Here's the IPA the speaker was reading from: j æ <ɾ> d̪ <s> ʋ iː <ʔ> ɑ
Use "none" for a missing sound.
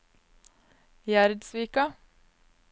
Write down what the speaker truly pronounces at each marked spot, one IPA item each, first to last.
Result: ɾ, s, k

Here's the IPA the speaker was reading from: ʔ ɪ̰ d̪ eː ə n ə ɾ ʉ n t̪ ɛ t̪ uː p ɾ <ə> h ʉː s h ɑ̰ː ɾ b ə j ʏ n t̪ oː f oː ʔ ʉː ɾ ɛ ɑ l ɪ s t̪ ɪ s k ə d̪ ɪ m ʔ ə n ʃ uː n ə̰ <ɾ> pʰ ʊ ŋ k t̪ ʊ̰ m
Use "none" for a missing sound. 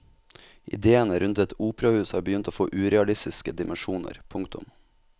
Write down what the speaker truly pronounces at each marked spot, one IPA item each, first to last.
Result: ɑ, ɾ

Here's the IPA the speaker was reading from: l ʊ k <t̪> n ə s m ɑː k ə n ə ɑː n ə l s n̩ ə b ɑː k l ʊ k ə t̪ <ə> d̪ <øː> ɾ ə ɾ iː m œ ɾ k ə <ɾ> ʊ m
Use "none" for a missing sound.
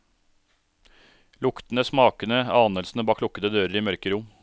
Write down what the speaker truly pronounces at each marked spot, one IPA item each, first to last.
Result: t̪, ə, øː, ɾ

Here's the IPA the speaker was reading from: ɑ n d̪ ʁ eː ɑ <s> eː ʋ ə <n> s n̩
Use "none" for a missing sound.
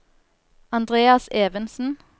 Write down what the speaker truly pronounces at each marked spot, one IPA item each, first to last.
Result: s, n

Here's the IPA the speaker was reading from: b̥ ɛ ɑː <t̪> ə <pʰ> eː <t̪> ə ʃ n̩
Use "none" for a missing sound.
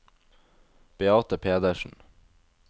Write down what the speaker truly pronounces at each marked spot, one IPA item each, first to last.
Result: t̪, pʰ, d̪

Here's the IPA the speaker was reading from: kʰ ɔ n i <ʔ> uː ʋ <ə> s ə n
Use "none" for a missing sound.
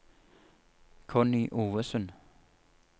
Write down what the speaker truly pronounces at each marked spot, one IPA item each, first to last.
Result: ʔ, ə

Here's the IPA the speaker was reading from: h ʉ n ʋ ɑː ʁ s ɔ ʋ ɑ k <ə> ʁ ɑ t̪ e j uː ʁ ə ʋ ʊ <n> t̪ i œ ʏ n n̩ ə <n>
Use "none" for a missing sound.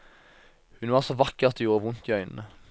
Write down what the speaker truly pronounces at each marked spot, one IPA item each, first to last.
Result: ə, n, none

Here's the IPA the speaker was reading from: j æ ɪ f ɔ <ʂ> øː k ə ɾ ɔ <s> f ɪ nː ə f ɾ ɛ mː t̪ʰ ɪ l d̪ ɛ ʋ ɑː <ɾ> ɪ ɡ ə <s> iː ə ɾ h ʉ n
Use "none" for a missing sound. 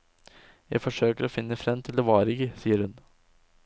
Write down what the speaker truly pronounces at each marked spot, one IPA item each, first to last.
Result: ʂ, none, ɾ, s

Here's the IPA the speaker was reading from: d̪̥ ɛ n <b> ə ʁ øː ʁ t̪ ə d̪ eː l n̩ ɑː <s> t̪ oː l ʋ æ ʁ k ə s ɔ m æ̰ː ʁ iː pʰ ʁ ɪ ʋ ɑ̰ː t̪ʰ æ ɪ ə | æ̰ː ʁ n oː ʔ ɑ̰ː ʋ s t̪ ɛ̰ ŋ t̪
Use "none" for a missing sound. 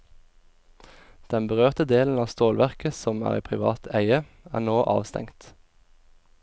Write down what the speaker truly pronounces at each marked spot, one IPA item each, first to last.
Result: b, s

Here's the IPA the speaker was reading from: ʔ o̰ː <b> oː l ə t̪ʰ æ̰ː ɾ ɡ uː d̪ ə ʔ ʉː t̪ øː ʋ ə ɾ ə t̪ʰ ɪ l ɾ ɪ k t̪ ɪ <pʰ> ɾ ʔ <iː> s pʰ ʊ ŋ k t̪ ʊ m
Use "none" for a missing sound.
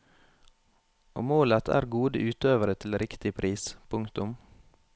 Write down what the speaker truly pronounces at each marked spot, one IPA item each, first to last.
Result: m, pʰ, iː

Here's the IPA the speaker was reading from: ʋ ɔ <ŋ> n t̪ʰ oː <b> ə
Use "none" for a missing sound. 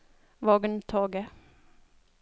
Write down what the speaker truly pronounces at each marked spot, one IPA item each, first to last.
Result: ɡ, ɡ

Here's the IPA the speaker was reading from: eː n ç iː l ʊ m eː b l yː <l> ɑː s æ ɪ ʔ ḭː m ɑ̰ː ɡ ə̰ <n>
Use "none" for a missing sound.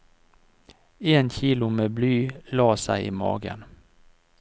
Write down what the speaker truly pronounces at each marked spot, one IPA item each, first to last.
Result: l, n

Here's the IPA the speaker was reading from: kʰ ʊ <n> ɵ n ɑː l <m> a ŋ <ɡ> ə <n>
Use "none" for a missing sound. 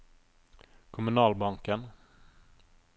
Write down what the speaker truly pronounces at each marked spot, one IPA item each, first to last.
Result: m, b, k, n

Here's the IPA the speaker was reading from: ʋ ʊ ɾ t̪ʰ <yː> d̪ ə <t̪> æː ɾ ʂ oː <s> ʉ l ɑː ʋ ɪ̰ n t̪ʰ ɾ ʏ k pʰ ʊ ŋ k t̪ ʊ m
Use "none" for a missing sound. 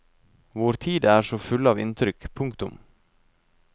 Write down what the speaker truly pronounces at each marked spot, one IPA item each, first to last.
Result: iː, none, f

